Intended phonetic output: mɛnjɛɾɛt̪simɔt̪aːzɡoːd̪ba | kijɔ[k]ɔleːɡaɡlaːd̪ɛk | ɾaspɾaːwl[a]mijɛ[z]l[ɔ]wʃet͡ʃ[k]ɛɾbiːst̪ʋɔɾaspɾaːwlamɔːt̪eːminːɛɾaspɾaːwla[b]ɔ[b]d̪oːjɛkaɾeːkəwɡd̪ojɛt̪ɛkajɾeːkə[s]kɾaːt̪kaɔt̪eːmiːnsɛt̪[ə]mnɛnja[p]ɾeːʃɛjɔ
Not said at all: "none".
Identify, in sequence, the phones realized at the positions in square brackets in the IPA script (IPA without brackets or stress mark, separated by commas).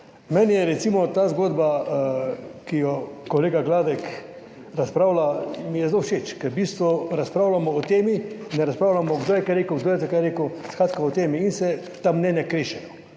k, a, z, o, k, m, ɡ, s, a, k